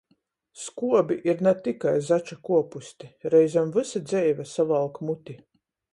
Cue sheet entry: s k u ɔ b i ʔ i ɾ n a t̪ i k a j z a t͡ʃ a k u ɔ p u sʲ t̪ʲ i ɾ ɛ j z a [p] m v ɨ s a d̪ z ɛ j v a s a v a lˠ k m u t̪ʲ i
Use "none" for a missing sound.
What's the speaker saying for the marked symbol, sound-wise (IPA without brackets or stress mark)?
none